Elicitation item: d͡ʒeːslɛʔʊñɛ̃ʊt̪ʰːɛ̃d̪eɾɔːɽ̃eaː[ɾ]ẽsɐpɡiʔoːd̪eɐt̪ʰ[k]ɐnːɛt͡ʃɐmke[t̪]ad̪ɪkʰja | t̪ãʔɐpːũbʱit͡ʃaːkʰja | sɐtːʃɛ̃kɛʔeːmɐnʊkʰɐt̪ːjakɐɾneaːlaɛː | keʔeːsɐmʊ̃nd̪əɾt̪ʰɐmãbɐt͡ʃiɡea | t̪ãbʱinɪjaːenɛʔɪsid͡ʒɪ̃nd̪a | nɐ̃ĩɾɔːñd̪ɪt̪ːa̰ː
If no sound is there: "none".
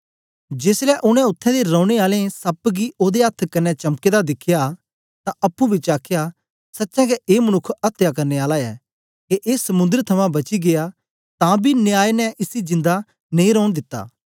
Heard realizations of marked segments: l, k, d̪

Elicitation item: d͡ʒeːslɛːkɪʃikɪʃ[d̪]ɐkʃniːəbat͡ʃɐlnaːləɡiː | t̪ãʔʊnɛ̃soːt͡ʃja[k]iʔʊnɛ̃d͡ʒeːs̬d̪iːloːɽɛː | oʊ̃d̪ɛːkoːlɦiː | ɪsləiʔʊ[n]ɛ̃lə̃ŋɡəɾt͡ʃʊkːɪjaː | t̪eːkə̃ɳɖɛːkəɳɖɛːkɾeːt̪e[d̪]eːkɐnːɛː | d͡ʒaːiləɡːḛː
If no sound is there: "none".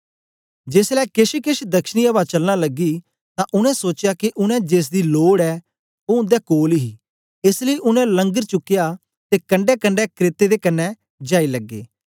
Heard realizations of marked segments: d̪, k, n, d̪

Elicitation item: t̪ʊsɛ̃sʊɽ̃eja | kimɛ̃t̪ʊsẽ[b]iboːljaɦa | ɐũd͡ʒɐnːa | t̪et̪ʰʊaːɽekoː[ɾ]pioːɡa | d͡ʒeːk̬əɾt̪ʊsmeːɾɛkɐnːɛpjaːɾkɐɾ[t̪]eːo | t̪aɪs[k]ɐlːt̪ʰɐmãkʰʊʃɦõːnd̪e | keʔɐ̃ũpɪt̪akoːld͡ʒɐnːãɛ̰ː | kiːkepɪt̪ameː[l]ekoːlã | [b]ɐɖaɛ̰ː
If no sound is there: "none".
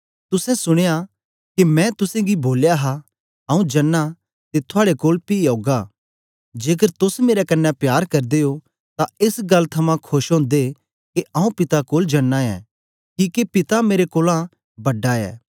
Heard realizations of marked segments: ɡ, l, d̪, ɡ, ɾ, b

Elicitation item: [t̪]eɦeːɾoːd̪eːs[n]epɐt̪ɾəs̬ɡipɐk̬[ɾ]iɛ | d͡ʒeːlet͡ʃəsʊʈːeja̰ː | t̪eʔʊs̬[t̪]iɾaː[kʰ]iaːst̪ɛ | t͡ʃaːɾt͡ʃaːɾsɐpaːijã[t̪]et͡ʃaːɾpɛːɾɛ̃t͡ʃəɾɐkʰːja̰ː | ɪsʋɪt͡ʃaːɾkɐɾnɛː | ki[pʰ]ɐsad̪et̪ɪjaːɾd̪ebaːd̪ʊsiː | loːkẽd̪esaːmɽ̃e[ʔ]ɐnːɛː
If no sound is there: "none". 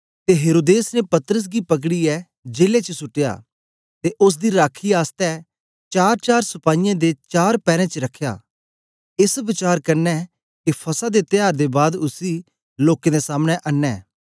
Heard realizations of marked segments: t̪, n, ɽ, d̪, kʰ, d̪, pʰ, ʔ

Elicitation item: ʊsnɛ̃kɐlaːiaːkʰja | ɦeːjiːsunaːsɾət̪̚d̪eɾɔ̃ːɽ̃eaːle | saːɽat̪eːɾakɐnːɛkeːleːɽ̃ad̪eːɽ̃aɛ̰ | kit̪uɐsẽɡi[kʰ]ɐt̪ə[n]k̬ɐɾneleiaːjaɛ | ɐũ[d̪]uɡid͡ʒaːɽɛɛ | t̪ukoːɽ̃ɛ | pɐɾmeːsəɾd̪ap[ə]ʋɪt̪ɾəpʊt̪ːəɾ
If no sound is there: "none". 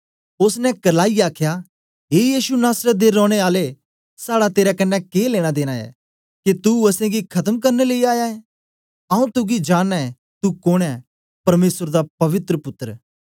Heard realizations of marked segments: kʰ, m, t̪, ɐ

